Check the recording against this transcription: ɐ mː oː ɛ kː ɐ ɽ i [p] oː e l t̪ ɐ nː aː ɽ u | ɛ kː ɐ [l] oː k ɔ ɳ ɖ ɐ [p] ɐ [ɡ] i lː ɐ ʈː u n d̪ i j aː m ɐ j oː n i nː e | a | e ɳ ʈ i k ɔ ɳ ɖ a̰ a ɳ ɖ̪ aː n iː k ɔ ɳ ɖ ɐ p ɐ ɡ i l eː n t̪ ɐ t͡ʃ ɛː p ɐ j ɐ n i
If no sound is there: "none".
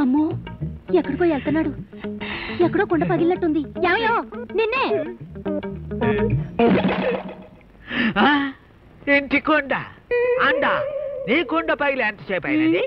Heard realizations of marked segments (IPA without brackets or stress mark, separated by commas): k, ɽ, p, ɡ